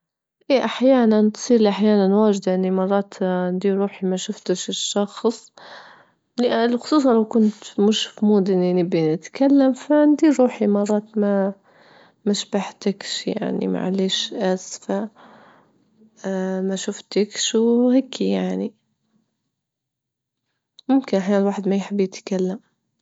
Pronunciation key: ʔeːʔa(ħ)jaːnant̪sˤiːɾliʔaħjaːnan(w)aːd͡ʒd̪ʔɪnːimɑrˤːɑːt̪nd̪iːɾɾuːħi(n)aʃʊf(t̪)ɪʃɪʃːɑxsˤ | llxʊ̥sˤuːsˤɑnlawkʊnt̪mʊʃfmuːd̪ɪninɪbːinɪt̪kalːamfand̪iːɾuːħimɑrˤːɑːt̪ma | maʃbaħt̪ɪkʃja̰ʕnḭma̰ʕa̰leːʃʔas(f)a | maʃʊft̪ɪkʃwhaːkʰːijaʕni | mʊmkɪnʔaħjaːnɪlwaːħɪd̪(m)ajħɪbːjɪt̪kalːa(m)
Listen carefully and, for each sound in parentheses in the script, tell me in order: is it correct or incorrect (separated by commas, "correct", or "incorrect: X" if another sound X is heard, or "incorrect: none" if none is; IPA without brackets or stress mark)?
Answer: correct, correct, incorrect: m, correct, correct, correct, correct